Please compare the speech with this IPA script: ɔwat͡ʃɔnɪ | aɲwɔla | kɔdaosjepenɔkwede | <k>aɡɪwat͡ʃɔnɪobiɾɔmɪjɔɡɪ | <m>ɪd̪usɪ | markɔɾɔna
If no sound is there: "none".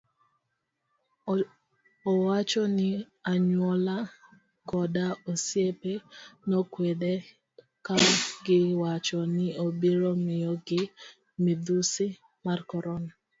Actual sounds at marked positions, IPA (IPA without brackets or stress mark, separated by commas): k, m